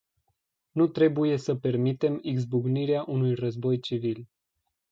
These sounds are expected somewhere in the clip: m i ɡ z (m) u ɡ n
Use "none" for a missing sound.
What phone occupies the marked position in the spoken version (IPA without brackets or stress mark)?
b